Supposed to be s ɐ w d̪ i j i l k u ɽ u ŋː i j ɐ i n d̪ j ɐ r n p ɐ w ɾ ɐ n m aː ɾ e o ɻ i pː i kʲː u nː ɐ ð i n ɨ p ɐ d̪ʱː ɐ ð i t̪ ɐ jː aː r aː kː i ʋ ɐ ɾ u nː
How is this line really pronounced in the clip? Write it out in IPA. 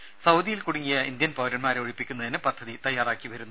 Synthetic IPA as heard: s ɐ w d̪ i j i l k u ɽ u ŋː i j ɐ i n d̪ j ɐ n p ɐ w ɾ ɐ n m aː ɾ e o ɻ i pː i kʲː u nː ɐ ð i n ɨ p ɐ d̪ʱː ɐ ð i t̪ ɐ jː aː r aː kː i ʋ ɐ ɾ u nː

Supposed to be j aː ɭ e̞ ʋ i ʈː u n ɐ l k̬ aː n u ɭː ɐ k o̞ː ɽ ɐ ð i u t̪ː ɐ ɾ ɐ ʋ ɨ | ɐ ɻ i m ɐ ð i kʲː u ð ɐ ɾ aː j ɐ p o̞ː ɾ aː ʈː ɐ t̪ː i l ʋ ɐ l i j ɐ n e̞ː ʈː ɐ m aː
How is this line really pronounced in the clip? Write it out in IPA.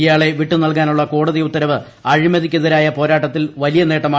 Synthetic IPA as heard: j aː ɭ e̞ ʋ i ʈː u n ɐ l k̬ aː n u ɭː ɐ k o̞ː ɽ ɐ ð i u t̪ː ɐ ɾ ɐ ʋ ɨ | ɐ ɻ i m ɐ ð i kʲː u ð ɐ ɾ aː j ɐ p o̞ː ɾ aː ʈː ɐ t̪ː i l ʋ ɐ l i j ɐ n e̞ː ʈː ɐ m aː

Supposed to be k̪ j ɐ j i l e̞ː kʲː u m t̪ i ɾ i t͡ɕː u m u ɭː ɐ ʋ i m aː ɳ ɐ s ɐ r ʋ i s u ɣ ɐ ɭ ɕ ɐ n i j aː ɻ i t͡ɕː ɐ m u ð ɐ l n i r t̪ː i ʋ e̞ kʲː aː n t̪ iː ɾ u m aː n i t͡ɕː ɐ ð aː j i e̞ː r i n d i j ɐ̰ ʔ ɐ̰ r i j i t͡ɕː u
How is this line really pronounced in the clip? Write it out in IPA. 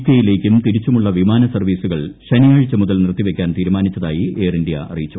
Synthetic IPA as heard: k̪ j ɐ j i l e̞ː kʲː u m t̪ i ɾ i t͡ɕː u m u ɭː ɐ ʋ i m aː n ɐ s ɐ r ʋ iː s u ɣ ɐ ɭ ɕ ɐ n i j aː ɻ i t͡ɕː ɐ m u ð ɐ l n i r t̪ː i ʋ e̞ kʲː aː n t̪ iː ɾ u m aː n i t͡ɕː ɐ ð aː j i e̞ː r i n d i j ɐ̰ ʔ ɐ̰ r i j i t͡ɕː u

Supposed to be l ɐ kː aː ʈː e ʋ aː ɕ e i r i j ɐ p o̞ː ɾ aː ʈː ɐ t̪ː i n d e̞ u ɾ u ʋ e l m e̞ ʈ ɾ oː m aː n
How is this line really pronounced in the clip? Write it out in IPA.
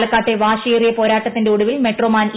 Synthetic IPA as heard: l ɐ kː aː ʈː e ʋ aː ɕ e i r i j ɐ p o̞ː ɾ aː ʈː ɐ t̪ː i n d e̞ u ɽ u ʋ i l m e̞ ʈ r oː m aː n

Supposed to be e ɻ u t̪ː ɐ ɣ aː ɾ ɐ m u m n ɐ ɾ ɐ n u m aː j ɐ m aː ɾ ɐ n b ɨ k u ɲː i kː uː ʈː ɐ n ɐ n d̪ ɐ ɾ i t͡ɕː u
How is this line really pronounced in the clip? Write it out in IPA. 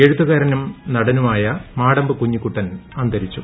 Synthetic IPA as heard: e ɻ u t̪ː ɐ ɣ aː ɾ ɐ n u m n ɐ ɽ ɐ n u m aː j ɐ m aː ɽ ɐ m b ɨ k u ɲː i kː u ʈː ɐ n ɐ n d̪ ɐ ɾ i t͡ɕː u

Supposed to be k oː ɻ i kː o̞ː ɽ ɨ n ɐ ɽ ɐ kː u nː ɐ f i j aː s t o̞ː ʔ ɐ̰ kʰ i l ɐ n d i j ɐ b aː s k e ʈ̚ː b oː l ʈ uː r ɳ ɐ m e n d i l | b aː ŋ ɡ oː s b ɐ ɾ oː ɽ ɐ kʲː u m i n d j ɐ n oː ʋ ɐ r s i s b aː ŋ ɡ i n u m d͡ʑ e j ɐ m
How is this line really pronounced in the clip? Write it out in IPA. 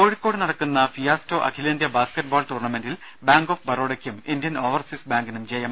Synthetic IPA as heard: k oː ɻ i kː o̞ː ɽ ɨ n ɐ ɽ ɐ kː u nː ɐ f i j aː s t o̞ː ʔ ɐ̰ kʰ i l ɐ n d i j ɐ b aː s k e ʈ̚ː b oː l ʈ uː r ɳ ɐ m e n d i l | b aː ŋ ɡ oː f b ɐ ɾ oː ɽ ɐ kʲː u m i n d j ɐ n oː ʋ ɐ r s i s b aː ŋ ɡ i n u m d͡ʑ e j ɐ m

